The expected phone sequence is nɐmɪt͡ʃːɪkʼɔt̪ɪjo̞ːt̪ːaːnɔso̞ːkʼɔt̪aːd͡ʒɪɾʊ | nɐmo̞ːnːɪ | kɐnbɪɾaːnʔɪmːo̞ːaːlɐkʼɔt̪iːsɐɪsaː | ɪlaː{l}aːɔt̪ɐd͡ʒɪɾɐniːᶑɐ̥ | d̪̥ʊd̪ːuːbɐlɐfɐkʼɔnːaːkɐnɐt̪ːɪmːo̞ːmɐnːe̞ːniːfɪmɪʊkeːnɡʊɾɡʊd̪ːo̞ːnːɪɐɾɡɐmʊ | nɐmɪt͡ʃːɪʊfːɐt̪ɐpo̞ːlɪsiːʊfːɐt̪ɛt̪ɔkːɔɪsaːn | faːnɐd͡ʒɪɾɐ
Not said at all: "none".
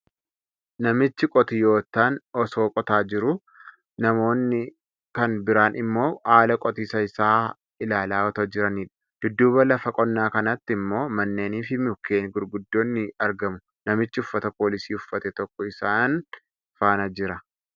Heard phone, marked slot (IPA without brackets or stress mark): l